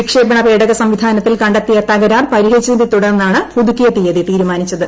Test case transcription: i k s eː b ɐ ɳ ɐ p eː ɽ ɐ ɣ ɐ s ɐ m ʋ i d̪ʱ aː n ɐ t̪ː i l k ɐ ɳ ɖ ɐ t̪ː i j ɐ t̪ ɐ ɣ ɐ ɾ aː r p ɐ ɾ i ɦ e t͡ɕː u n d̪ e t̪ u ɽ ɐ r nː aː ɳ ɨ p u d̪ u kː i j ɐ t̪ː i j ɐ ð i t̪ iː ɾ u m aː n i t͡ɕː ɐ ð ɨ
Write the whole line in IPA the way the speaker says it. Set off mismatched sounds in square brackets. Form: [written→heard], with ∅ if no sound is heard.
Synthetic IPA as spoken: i k [s→ʂ] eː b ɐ ɳ ɐ p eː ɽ ɐ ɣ ɐ s ɐ m ʋ i d̪ʱ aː n ɐ t̪ː i l k ɐ ɳ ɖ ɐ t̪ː i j ɐ t̪ ɐ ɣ ɐ ɾ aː r p ɐ ɾ i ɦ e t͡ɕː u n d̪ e t̪ u ɽ ɐ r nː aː ɳ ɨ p u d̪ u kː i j ɐ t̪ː i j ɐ ð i t̪ iː ɾ u m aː n i t͡ɕː ɐ ð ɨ